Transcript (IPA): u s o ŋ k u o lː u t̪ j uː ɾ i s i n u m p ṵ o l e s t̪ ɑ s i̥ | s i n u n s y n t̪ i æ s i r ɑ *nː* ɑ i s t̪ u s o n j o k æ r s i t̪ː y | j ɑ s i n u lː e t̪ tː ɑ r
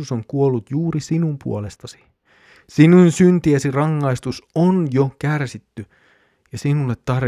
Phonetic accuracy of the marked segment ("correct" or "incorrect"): incorrect